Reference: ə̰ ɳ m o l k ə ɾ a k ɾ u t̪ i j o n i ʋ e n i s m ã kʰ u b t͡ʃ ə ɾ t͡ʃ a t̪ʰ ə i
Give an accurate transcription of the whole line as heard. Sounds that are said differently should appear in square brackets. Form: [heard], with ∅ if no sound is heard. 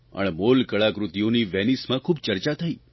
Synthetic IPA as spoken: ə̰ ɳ m o l k ə [ɭ] a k ɾ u t̪ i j o n i ʋ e n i s m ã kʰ u b t͡ʃ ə ɾ t͡ʃ a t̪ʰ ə i